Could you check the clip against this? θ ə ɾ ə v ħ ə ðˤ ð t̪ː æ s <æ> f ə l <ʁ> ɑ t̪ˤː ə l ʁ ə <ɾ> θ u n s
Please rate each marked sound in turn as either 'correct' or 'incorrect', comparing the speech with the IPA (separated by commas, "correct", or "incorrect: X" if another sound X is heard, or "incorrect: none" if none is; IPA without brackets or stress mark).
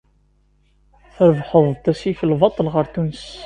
incorrect: i, incorrect: v, correct